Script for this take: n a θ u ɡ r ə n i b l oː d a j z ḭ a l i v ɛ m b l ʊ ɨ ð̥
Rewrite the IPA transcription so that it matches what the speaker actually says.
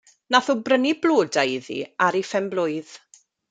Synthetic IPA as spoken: n a θ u b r ə n i b l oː d a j ð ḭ a ɾ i f ɛ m b l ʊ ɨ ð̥